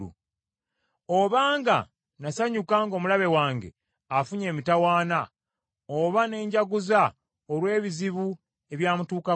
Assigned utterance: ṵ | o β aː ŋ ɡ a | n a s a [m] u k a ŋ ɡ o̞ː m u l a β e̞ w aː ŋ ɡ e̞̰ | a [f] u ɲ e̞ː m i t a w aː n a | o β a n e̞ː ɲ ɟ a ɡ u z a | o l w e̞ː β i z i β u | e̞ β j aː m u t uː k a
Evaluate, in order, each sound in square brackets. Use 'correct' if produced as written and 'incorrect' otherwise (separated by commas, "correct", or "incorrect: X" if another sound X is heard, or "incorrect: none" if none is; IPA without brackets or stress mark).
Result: incorrect: ɲ, correct